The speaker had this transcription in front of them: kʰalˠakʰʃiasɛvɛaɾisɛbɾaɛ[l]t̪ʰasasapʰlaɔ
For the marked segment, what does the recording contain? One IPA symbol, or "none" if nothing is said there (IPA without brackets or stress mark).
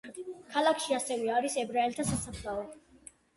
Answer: l